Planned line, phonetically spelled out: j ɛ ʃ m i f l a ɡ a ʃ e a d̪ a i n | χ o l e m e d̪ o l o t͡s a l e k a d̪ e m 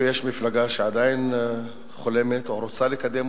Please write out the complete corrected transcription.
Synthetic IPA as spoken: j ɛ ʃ m i f l a ɡ a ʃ e a d̪ a i n | χ o l e m e t̪ o ɾ o t͡s a l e k a d̪ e m